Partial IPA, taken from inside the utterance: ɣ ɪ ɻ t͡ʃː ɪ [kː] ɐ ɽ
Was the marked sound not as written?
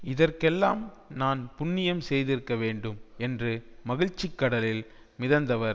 no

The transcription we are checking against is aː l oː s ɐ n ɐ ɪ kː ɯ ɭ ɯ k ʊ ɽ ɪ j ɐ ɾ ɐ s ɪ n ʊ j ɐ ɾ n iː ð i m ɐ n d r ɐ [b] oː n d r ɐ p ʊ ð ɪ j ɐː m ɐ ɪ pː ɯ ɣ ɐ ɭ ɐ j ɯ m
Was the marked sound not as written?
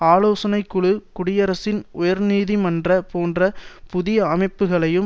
yes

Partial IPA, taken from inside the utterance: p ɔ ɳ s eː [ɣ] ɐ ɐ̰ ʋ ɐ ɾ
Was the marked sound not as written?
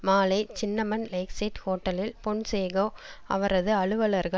no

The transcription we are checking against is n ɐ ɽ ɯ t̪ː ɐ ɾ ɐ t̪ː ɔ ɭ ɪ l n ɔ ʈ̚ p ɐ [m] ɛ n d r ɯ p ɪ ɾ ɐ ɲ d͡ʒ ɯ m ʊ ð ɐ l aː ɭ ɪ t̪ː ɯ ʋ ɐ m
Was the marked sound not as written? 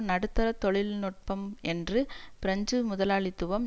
no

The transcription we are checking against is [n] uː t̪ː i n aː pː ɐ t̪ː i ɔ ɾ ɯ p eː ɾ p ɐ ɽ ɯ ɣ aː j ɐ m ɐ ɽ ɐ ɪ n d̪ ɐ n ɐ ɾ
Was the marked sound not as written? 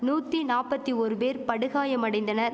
no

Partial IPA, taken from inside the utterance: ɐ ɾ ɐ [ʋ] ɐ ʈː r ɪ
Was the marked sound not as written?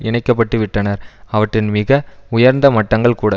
no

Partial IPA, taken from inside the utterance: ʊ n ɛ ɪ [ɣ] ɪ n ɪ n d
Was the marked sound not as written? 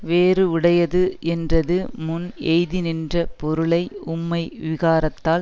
yes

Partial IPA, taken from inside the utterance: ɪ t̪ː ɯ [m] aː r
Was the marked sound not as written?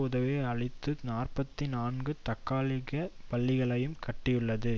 yes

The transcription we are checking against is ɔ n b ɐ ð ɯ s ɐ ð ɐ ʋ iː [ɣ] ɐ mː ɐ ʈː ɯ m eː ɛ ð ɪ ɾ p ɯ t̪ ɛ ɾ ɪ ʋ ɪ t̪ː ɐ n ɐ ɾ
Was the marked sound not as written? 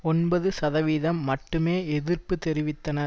yes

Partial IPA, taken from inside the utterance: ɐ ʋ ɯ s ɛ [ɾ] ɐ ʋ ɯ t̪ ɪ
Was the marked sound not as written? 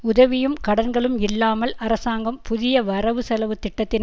yes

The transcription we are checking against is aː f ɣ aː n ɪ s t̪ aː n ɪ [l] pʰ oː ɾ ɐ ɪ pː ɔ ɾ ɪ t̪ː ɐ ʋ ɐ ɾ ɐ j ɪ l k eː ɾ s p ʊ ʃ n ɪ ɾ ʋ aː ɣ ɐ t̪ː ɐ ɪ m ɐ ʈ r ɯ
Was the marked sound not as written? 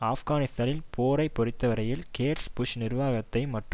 no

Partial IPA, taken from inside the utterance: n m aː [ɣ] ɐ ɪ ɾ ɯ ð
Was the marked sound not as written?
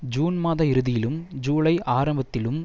yes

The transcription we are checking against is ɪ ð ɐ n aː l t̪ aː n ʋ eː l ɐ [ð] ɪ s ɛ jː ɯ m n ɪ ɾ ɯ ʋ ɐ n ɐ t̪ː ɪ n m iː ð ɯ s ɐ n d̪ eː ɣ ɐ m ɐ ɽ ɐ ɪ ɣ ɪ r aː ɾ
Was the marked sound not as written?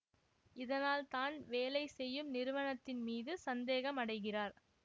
yes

